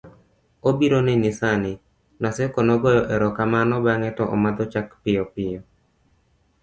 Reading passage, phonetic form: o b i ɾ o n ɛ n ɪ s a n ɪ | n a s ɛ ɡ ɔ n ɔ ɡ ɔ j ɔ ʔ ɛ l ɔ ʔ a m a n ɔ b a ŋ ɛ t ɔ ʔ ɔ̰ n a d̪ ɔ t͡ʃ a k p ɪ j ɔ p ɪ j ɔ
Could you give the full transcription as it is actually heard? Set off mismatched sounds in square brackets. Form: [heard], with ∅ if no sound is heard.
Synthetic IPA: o b i ɾ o n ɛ n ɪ s a n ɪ | n a s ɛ [k] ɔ n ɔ ɡ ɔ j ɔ ʔ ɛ [ɾ] ɔ [k] a m a n ɔ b a ŋ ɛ t ɔ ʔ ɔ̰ [m] a d̪ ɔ t͡ʃ a k p ɪ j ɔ p ɪ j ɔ